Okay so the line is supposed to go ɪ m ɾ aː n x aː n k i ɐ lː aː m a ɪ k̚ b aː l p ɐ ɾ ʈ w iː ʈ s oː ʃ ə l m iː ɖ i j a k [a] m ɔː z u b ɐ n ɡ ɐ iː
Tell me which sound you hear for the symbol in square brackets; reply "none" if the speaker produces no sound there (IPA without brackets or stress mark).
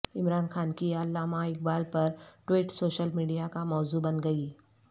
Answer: a